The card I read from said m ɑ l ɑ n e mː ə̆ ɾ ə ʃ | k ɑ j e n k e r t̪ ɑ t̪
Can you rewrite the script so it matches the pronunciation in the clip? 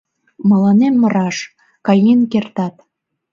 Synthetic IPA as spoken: m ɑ l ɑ n e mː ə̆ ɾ ɑ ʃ | k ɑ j e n k e r t̪ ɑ t̪